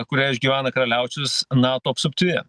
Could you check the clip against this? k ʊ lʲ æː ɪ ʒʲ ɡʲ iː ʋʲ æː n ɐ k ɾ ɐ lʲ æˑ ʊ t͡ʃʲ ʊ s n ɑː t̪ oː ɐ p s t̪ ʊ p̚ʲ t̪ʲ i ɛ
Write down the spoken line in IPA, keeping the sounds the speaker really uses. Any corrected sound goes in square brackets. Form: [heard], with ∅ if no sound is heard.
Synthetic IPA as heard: k ʊ [ɾʲ] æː ɪ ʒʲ ɡʲ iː ʋʲ æː n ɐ k ɾ ɐ lʲ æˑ ʊ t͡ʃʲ ʊ s n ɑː t̪ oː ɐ p s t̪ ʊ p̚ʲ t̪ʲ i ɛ

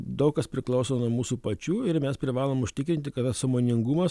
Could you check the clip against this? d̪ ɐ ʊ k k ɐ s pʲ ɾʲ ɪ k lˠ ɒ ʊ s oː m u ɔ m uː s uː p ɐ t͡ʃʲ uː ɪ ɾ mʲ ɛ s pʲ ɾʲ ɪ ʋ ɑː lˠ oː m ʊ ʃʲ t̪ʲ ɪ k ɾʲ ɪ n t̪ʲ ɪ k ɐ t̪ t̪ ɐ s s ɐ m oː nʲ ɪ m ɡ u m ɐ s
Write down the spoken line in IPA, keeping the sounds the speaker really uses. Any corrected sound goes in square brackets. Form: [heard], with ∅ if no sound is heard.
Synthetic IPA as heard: d̪ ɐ ʊ k k ɐ s pʲ ɾʲ ɪ k lˠ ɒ ʊ s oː [n] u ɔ m uː s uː p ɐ t͡ʃʲ uː ɪ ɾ mʲ ɛ s pʲ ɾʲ ɪ ʋ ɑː lˠ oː m ʊ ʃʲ t̪ʲ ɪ k ɾʲ ɪ n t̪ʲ ɪ k ɐ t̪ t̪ ɐ s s ɐ m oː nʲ ɪ [ŋ] ɡ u m ɐ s

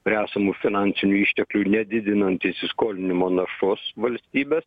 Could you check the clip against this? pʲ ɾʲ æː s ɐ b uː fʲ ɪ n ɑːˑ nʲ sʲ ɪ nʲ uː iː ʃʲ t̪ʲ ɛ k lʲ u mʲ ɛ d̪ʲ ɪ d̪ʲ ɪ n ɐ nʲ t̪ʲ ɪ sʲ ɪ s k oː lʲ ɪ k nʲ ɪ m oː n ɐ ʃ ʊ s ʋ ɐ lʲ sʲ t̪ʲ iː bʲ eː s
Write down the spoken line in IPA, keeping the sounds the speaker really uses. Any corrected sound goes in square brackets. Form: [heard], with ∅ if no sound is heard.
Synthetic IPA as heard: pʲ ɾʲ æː s ɐ [m] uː fʲ ɪ n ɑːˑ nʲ sʲ ɪ nʲ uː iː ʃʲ t̪ʲ ɛ k lʲ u [nʲ] ɛ d̪ʲ ɪ d̪ʲ ɪ n ɐ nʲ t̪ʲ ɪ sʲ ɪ s k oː lʲ ɪ [∅] nʲ ɪ m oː n ɐ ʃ ʊ s ʋ ɐ lʲ sʲ t̪ʲ iː bʲ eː s

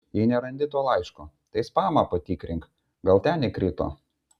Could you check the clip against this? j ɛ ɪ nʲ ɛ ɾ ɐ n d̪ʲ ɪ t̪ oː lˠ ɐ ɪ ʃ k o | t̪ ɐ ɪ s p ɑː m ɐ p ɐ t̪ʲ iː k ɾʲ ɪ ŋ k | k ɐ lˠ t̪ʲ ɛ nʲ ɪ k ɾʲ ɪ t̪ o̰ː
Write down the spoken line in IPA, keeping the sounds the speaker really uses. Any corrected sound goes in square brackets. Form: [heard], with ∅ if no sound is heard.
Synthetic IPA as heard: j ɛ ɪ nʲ ɛ ɾ ɐ n d̪ʲ ɪ t̪ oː lˠ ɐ ɪ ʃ k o | t̪ ɐ ɪ s p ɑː m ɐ p ɐ t̪ʲ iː k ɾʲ ɪ ŋ k | [ɡ] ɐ lˠ t̪ʲ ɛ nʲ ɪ k ɾʲ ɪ t̪ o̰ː

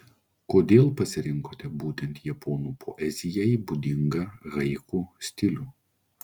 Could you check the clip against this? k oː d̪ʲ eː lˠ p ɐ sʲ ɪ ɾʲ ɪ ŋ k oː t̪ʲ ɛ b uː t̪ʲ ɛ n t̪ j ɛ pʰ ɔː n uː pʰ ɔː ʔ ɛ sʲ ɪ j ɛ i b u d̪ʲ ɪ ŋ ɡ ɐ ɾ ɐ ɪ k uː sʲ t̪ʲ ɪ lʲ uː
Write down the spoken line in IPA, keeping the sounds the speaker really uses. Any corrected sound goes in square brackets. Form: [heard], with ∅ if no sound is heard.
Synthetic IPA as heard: k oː d̪ʲ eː lˠ p ɐ sʲ ɪ ɾʲ ɪ ŋ k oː t̪ʲ ɛ b uː t̪ʲ ɛ n t̪ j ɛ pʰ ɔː n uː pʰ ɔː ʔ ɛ [zʲ] ɪ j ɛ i b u d̪ʲ ɪ ŋ ɡ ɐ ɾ ɐ ɪ k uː sʲ t̪ʲ ɪ lʲ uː

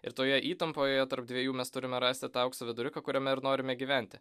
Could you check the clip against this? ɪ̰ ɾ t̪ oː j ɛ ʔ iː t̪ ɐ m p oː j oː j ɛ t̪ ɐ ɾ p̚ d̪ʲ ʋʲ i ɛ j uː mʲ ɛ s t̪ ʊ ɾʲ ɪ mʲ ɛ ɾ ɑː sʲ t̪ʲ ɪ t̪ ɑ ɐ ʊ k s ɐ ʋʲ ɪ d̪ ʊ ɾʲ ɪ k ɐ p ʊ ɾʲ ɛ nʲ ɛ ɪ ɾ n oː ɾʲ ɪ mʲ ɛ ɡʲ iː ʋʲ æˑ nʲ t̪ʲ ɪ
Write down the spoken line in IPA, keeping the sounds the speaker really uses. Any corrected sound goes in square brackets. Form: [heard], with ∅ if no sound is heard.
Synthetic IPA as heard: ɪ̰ ɾ t̪ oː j ɛ ʔ iː t̪ ɐ m p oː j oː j ɛ t̪ ɐ ɾ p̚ d̪ʲ ʋʲ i ɛ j uː mʲ ɛ s t̪ ʊ ɾʲ ɪ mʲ ɛ ɾ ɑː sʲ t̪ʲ ɪ t̪ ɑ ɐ ʊ k s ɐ ʋʲ ɪ d̪ ʊ ɾʲ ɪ k ɐ [k] ʊ ɾʲ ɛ [mʲ] ɛ ɪ ɾ n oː ɾʲ ɪ mʲ ɛ ɡʲ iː ʋʲ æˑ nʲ t̪ʲ ɪ

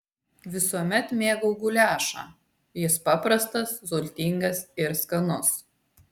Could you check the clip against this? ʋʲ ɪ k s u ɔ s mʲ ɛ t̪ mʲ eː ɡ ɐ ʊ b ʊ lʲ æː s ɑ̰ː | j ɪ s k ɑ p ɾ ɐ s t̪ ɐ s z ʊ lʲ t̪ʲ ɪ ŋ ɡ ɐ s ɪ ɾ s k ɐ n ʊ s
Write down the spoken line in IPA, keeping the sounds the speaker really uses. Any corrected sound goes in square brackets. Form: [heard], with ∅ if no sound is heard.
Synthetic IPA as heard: ʋʲ ɪ [∅] s u ɔ [∅] mʲ ɛ t̪ mʲ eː ɡ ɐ ʊ [ɡ] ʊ lʲ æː [ʃ] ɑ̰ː | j ɪ s [p] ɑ p ɾ ɐ s t̪ ɐ s z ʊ lʲ t̪ʲ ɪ ŋ ɡ ɐ s ɪ ɾ s k ɐ n ʊ s

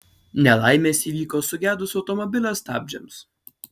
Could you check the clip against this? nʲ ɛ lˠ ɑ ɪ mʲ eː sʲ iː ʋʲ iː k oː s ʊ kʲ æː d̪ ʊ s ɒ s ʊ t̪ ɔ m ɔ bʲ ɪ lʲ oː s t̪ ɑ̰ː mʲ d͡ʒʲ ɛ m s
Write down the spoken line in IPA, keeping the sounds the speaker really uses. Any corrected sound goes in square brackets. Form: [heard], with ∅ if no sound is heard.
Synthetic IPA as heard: nʲ ɛ lˠ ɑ ɪ mʲ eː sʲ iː ʋʲ iː k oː s ʊ [ɡʲ] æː d̪ ʊ s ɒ [∅] ʊ t̪ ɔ m ɔ bʲ ɪ lʲ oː s t̪ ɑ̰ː [bʲ] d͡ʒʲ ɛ m s

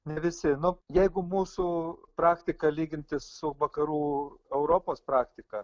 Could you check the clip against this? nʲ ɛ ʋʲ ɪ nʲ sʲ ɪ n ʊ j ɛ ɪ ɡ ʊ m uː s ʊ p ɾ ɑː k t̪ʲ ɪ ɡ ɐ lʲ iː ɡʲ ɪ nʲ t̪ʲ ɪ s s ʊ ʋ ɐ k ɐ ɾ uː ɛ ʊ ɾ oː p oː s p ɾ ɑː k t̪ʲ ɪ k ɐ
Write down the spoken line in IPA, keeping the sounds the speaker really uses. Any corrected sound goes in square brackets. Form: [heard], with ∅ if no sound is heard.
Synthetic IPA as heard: nʲ ɛ ʋʲ ɪ [∅] sʲ ɪ n ʊ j ɛ ɪ ɡ ʊ m uː s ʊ p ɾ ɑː k t̪ʲ ɪ [k] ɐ lʲ iː ɡʲ ɪ nʲ t̪ʲ ɪ s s ʊ ʋ ɐ k ɐ ɾ uː ɛ ʊ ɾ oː p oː s p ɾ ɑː k t̪ʲ ɪ k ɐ

